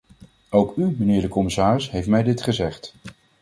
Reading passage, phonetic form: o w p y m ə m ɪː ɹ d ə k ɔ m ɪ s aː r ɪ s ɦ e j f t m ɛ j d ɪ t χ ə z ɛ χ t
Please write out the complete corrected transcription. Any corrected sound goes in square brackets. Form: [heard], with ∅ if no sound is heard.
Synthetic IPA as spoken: o w [k] y m ə [n] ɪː ɹ d ə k ɔ m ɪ s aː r ɪ s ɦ e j f t m ɛ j d ɪ t χ ə z ɛ χ t